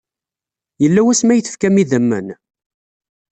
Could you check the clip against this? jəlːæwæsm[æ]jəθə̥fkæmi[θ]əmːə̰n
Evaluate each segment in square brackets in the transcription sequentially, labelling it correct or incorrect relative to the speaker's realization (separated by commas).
correct, incorrect